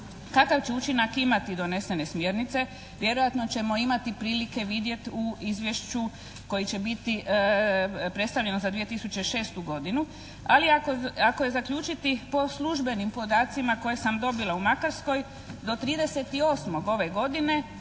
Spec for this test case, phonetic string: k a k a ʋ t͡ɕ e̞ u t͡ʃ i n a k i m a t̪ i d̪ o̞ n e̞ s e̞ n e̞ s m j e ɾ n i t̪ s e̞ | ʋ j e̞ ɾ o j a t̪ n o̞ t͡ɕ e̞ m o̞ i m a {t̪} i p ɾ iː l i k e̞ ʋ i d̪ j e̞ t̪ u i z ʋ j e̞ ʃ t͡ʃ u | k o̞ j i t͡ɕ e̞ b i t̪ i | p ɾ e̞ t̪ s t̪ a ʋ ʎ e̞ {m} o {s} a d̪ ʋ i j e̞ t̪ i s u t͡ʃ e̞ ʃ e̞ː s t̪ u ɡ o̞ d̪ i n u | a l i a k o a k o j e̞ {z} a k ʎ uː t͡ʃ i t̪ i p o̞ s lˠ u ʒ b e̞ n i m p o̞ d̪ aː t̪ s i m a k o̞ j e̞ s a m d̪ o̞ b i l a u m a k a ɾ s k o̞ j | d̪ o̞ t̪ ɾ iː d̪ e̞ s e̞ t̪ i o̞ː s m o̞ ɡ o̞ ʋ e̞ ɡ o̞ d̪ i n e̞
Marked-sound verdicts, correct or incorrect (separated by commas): correct, incorrect, incorrect, correct